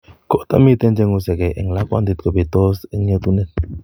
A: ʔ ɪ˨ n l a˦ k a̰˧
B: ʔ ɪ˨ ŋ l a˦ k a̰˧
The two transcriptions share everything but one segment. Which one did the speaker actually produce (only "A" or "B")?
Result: B